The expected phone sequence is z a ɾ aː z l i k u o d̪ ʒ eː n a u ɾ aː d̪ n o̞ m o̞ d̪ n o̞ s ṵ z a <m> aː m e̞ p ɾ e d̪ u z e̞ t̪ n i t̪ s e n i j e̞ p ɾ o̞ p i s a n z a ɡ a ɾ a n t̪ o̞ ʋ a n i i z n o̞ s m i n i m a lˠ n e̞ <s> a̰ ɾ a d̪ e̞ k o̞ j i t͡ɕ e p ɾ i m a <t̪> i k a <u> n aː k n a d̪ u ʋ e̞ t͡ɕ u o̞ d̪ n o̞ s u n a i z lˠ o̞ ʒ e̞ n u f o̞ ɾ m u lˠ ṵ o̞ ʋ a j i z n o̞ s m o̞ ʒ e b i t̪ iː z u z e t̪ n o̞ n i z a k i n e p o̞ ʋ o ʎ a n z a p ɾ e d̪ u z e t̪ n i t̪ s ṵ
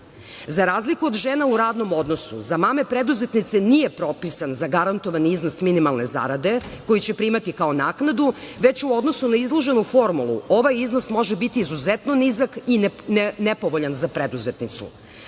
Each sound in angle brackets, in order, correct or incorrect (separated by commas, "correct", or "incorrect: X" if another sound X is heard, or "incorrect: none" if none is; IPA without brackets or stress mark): correct, incorrect: z, correct, incorrect: o